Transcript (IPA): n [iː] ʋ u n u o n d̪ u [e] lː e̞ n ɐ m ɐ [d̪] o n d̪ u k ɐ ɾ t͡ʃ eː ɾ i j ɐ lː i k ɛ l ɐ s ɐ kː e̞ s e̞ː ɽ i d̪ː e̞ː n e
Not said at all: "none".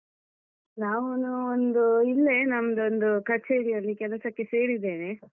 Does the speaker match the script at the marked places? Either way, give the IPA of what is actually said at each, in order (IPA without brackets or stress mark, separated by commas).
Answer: aː, i, d̪